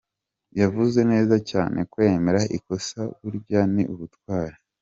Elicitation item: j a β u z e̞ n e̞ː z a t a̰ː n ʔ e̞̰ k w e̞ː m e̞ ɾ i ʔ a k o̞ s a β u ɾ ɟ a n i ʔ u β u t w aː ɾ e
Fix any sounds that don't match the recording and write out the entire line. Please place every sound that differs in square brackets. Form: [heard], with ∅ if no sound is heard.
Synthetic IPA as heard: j a [v] u z e̞ n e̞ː z a [c] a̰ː n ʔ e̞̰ k w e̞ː m e̞ ɾ [a] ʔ [i] k o̞ s a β u ɾ ɟ a n i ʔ u β u t w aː ɾ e